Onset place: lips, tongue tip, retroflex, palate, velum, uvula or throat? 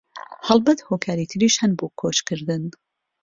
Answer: throat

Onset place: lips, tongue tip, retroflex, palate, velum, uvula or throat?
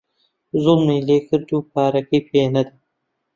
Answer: tongue tip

